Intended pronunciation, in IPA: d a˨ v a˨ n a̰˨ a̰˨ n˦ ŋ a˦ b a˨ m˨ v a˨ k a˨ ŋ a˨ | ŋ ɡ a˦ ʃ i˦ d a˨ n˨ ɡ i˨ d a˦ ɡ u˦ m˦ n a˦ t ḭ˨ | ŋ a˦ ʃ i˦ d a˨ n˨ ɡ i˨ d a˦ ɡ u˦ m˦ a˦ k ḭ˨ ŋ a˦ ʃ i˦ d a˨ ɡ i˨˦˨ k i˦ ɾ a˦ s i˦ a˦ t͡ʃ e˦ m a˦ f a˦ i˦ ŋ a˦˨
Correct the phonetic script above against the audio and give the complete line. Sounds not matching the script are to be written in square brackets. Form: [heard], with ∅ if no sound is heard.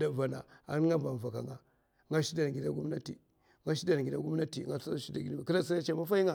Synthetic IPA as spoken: d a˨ v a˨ n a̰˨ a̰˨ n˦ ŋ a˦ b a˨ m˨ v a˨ k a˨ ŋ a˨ | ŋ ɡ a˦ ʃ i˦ d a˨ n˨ ɡ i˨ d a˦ ɡ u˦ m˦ n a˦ t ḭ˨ | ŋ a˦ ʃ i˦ d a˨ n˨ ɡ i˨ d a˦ ɡ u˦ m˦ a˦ [t] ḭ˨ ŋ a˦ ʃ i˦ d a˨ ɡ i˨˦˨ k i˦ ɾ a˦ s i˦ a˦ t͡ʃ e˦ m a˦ f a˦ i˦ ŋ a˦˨